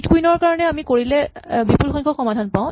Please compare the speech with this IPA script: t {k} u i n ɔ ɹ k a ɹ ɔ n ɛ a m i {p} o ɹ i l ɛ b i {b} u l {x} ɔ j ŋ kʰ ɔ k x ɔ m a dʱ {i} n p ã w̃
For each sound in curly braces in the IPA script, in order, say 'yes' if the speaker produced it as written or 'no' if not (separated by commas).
yes, no, no, yes, no